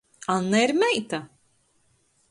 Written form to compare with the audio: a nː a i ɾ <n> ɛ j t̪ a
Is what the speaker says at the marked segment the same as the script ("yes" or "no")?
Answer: no